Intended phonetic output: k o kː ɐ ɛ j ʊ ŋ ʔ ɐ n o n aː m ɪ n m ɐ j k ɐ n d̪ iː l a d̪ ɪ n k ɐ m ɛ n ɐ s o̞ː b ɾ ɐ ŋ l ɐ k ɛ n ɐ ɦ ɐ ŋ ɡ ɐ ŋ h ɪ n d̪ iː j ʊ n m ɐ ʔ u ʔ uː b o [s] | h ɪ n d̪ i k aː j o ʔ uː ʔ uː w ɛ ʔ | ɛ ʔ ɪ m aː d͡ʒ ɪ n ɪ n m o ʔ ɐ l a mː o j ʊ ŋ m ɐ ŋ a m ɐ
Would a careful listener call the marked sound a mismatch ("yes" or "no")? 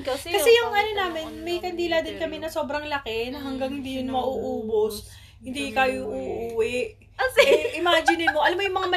no